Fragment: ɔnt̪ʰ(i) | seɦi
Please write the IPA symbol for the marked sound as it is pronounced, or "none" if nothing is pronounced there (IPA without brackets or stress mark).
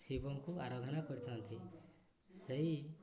i